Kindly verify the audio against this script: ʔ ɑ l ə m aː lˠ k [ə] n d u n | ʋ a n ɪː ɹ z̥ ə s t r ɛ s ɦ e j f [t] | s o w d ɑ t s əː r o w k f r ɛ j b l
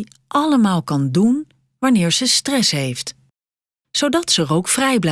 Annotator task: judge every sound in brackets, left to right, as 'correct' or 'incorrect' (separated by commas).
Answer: incorrect, correct